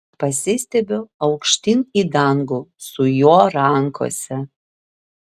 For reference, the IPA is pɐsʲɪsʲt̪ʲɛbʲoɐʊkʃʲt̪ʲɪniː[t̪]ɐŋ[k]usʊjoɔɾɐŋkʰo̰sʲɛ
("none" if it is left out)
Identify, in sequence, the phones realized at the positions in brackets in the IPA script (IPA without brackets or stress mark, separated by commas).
d̪, ɡ